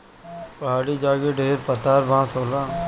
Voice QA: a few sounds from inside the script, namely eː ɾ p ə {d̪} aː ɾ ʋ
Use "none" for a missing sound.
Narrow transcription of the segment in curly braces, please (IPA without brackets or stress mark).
t̪